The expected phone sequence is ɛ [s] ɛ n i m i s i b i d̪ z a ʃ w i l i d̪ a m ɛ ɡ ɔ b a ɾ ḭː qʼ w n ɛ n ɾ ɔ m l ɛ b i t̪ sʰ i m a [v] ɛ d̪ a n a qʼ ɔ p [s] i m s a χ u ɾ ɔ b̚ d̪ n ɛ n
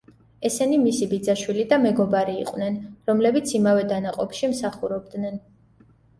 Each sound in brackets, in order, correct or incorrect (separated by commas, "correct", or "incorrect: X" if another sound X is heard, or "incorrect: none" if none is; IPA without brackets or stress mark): correct, correct, incorrect: ʃ